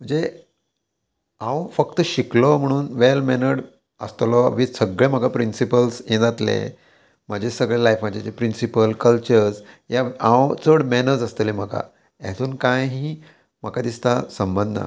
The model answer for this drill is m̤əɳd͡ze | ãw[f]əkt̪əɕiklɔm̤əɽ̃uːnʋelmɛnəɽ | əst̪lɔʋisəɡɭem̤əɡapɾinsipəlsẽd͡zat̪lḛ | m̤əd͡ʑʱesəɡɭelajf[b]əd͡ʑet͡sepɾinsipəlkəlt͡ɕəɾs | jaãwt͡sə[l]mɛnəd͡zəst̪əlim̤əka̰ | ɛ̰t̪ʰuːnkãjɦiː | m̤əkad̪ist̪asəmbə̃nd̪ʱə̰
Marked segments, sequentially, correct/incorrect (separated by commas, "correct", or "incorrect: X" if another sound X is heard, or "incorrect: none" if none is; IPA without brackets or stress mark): correct, incorrect: m, incorrect: ɽ